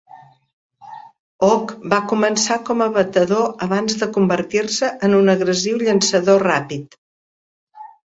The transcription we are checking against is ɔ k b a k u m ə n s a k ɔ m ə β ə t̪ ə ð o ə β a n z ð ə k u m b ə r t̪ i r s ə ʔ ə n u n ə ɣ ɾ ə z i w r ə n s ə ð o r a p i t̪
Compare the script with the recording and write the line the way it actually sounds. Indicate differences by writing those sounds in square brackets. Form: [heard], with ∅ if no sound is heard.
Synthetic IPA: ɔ k b a k u m ə n s a k ɔ m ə β ə t̪ ə ð o ə β a n z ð ə k u m b ə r t̪ i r s ə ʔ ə n u n ə ɣ ɾ ə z i w [ʎ] ə n s ə ð o r a p i t̪